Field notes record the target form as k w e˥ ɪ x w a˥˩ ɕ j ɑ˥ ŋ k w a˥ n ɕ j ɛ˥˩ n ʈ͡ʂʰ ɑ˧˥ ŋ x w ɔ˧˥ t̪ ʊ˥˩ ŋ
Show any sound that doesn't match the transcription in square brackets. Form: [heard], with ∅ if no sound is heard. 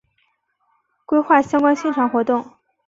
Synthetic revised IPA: k w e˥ ɪ x w a˥˩ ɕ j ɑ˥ ŋ k w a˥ n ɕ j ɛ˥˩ n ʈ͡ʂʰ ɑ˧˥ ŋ x w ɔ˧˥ t̪ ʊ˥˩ ŋ